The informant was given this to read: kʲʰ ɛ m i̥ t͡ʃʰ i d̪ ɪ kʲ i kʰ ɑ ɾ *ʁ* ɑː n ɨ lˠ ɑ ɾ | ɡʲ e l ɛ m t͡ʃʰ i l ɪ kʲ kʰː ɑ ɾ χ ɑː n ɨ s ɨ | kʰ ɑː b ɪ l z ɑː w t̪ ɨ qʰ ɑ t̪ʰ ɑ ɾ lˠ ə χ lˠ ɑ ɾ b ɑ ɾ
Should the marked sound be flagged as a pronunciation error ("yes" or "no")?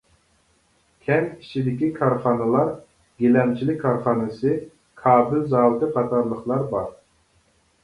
yes